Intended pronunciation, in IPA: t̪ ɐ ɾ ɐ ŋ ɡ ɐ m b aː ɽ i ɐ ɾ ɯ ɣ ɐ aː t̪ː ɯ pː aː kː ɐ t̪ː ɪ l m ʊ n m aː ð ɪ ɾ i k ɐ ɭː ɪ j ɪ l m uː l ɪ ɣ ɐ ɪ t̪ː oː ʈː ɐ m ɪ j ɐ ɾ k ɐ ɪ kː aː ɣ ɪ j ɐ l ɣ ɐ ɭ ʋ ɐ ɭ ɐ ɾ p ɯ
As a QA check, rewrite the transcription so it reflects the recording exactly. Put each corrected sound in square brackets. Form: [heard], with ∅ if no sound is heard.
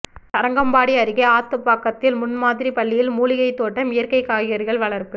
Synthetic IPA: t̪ ɐ ɾ ɐ ŋ ɡ ɐ m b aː ɽ i ɐ ɾ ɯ ɣ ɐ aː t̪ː ɯ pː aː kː ɐ t̪ː ɪ l m ʊ n m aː ð ɪ ɾ i [p] ɐ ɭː ɪ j ɪ l m uː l ɪ ɣ ɐ ɪ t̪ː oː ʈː ɐ m ɪ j ɐ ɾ k ɐ ɪ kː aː ɣ ɪ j ɐ [ɾ] ɣ ɐ ɭ ʋ ɐ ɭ ɐ ɾ p ɯ